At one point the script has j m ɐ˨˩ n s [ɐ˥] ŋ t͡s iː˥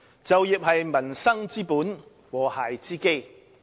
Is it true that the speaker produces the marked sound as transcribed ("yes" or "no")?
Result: yes